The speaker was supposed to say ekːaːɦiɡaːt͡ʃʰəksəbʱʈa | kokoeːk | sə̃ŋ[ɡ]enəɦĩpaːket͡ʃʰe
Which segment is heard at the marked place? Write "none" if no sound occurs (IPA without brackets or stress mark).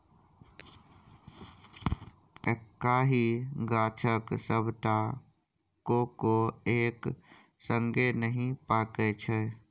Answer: ɡ